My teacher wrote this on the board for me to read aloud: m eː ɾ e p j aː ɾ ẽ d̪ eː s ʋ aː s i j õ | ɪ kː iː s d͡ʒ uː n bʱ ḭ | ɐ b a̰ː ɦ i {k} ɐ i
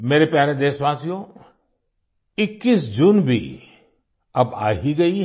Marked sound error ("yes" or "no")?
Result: yes